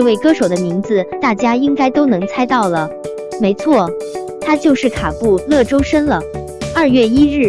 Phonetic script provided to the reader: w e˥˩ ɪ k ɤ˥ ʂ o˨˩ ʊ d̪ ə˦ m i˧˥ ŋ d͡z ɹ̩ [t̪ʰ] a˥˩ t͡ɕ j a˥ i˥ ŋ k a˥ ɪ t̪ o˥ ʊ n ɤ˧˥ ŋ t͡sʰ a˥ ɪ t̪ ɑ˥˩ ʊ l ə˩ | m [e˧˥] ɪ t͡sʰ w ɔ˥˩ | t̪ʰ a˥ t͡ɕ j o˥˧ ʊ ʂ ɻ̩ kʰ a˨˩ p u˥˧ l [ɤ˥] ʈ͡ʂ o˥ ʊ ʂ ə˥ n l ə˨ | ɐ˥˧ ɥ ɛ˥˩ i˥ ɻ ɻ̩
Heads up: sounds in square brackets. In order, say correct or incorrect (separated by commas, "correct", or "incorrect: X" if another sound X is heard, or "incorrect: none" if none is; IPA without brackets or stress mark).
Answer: incorrect: t̪, correct, incorrect: ɤ˥˩